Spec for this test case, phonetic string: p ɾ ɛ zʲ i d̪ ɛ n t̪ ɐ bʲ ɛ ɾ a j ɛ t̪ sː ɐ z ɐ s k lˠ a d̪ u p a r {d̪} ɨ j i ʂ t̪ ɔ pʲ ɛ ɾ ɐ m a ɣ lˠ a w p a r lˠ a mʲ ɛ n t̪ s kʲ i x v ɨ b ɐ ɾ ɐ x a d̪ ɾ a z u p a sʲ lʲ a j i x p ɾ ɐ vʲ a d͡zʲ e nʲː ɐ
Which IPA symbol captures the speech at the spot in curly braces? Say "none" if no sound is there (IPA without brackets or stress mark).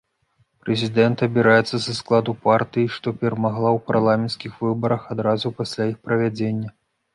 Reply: t̪